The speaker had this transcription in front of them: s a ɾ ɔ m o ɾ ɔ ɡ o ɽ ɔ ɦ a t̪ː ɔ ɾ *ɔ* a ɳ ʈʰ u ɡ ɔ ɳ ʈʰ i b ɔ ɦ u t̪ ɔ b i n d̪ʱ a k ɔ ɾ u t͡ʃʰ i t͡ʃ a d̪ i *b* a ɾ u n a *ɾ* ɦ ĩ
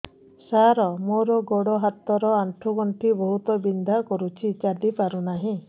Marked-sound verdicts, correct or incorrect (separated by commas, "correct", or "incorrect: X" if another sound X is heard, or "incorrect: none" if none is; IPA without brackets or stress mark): correct, incorrect: p, incorrect: none